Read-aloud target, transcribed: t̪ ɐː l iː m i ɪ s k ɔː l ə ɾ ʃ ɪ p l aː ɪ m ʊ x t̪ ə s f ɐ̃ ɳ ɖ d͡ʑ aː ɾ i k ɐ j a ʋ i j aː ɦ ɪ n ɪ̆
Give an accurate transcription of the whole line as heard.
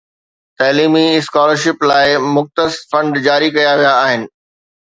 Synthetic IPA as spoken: t̪ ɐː l iː m i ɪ s k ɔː l ə ɾ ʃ ɪ p l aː ɪ m ʊ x t̪ ə s f ɐ̃ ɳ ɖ d͡ʑ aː ɾ i k ɐ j a ʋ i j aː ɦ ɪ n ɪ̆